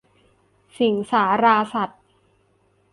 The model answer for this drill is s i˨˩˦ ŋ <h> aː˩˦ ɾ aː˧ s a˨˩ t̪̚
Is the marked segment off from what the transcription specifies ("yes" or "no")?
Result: yes